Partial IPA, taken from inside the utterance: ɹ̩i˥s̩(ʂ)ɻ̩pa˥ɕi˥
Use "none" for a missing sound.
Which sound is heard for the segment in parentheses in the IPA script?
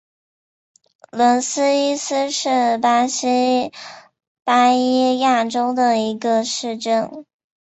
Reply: ʂ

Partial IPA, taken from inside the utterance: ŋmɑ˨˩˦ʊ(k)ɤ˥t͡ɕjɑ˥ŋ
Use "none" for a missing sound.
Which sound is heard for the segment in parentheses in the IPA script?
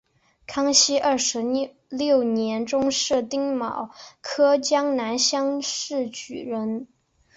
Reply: kʰ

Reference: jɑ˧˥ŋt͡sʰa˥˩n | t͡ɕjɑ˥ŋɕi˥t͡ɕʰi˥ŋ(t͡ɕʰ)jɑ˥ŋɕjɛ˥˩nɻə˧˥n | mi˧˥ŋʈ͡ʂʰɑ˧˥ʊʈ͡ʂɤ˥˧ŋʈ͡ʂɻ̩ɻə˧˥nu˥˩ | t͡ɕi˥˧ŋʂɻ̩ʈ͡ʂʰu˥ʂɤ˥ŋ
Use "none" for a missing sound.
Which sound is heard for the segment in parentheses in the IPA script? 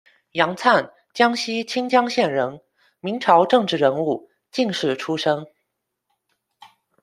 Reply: t͡ɕ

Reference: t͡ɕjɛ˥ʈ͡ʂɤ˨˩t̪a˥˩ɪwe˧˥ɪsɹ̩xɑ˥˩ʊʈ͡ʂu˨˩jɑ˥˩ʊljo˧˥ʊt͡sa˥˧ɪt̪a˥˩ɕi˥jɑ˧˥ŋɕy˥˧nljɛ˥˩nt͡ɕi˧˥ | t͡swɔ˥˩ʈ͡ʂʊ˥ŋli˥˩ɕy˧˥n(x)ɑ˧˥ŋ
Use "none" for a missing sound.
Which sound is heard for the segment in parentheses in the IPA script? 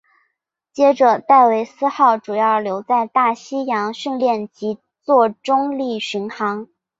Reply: x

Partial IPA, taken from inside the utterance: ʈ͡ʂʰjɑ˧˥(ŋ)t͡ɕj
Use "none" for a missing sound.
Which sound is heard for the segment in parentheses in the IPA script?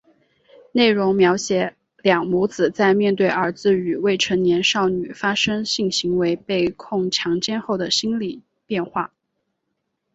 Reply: ŋ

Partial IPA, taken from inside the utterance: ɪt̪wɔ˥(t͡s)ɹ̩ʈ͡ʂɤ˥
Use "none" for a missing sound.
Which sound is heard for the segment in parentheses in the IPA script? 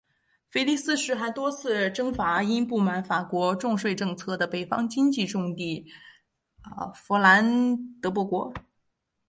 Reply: t͡sʰ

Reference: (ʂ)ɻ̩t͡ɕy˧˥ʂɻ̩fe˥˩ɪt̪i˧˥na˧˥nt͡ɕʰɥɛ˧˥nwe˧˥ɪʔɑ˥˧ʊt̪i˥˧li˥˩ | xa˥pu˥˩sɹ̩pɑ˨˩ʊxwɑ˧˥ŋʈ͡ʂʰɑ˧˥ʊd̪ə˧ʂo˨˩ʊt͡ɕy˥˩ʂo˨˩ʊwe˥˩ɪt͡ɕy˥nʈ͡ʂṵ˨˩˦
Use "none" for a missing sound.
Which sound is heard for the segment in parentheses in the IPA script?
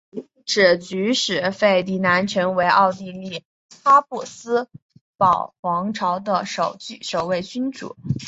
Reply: ʈ͡ʂ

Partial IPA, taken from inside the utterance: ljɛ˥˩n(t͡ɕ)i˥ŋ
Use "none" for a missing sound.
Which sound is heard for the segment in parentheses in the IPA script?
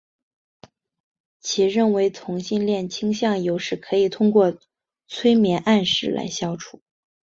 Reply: t͡ɕʰ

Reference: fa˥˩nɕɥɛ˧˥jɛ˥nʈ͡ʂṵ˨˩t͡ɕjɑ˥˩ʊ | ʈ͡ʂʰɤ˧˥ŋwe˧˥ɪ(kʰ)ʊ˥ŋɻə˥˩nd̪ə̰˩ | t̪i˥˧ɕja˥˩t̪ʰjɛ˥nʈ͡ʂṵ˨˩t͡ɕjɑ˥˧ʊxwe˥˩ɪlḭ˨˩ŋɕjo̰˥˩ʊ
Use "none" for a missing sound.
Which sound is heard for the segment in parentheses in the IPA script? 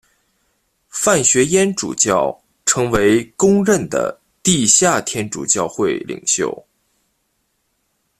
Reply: k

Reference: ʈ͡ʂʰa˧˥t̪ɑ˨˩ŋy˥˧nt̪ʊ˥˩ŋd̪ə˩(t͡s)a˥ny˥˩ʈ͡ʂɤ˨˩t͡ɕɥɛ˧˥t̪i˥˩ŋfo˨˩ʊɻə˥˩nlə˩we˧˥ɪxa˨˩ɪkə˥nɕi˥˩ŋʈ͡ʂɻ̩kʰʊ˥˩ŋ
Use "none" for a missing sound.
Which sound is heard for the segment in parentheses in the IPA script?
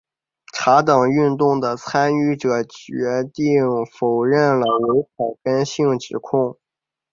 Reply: t͡sʰ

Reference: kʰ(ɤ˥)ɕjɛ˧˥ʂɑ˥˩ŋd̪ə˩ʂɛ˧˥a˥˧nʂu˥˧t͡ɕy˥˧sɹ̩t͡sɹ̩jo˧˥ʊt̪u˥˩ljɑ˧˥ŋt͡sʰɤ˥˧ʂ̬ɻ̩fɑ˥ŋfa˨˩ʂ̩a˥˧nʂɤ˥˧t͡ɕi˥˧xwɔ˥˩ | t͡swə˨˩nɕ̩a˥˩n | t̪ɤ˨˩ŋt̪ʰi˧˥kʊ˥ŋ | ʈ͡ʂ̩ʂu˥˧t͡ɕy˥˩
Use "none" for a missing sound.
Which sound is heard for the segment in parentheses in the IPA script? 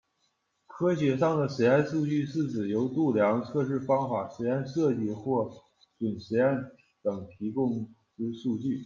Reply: ɤ˥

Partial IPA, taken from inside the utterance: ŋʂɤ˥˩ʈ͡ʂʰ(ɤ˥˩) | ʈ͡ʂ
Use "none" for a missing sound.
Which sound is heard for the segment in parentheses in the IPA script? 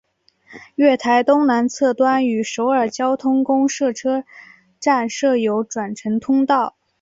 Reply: ɤ˥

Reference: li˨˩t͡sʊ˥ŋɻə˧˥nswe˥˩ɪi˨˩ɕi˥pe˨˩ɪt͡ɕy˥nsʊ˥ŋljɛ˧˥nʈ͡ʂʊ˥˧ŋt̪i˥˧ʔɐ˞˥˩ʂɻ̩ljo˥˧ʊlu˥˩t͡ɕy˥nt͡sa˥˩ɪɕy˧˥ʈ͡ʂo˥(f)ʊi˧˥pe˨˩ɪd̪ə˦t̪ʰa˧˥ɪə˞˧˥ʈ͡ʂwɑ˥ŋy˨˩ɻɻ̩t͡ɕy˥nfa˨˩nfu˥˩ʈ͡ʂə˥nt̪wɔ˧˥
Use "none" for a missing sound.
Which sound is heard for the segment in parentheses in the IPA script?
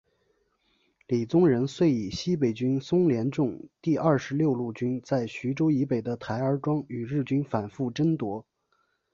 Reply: none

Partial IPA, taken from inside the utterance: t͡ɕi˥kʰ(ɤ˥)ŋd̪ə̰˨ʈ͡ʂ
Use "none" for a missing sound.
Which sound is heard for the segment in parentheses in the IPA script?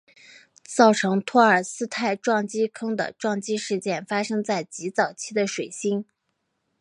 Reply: ɤ˥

